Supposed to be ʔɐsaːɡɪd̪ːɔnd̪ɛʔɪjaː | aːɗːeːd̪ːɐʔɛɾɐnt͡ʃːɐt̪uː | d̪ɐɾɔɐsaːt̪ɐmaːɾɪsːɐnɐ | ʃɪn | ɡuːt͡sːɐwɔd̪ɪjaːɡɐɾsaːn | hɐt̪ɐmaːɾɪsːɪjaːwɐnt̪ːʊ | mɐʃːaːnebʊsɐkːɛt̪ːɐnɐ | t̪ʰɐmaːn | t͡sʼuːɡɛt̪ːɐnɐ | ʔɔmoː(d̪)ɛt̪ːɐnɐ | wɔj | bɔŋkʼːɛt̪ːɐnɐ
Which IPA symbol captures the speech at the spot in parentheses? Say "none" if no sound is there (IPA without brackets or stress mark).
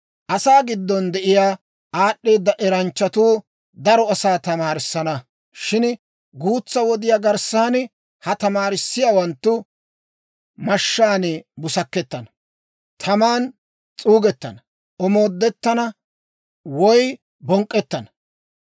d̪ː